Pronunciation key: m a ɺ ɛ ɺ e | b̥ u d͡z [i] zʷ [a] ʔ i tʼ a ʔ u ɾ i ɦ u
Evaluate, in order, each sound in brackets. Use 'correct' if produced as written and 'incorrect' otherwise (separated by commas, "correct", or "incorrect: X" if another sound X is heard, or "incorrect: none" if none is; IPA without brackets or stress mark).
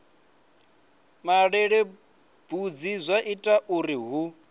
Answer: correct, correct